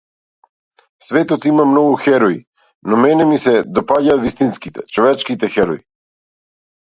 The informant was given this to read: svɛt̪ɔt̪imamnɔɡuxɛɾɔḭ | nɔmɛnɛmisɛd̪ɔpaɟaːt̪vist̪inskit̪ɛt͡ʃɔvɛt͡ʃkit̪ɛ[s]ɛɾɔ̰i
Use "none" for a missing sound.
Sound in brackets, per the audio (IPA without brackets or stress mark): x